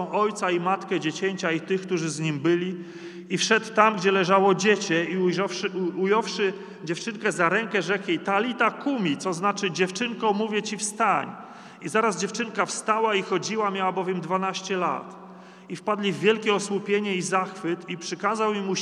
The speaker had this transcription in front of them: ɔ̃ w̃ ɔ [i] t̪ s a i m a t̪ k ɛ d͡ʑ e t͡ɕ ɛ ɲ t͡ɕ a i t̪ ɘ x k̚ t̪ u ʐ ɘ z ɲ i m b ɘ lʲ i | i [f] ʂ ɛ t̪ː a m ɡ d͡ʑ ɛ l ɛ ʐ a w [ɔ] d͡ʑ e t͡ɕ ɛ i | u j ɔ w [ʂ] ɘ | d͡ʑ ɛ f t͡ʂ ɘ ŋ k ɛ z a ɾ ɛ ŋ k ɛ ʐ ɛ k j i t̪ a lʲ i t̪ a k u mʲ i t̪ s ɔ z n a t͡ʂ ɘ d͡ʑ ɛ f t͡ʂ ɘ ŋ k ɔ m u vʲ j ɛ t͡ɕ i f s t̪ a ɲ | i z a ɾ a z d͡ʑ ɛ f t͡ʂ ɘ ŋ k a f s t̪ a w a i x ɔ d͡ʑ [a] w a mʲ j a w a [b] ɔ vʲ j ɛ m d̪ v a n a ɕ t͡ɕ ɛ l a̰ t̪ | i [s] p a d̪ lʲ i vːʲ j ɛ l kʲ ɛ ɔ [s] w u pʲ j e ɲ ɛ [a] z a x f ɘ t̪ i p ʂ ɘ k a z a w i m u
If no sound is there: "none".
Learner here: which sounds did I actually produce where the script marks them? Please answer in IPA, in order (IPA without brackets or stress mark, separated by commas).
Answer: j, f, ɔ, ʂ, i, b, f, s, i